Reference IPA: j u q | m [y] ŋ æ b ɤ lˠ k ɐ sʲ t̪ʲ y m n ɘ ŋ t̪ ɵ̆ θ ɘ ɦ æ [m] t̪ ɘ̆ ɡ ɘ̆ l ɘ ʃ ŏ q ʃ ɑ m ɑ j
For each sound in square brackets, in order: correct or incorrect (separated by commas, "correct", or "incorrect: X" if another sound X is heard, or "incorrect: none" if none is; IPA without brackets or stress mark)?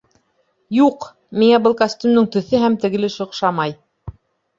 incorrect: i, correct